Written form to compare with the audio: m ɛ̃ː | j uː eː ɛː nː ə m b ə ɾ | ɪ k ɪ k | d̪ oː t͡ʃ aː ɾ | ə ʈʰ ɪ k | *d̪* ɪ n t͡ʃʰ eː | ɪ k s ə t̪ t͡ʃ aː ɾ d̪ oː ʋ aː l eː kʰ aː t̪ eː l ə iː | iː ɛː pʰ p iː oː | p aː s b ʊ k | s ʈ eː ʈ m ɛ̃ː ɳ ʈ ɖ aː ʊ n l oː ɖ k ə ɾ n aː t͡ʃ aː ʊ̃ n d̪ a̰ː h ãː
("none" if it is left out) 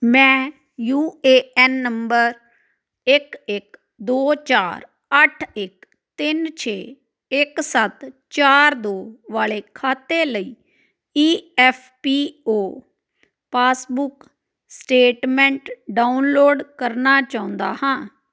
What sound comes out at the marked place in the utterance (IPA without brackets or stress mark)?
t̪